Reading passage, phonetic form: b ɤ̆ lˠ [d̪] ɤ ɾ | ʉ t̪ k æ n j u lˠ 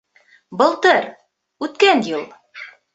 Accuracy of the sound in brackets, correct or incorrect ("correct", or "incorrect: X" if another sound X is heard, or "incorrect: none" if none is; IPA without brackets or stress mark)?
incorrect: t̪